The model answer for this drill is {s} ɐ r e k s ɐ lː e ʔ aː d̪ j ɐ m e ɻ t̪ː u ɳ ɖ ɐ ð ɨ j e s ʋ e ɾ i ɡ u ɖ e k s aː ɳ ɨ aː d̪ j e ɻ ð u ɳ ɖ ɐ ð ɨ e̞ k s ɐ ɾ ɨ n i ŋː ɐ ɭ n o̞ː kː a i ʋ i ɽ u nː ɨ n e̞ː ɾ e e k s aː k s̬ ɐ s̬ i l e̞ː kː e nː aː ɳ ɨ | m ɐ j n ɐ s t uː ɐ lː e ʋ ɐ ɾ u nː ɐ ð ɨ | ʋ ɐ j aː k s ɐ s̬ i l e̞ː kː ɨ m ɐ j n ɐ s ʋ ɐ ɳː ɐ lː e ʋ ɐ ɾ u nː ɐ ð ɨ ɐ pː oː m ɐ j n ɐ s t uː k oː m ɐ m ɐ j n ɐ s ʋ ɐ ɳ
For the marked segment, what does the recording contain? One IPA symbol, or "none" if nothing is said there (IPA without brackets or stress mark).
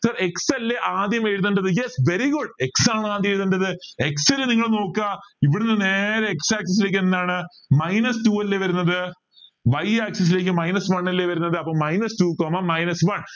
s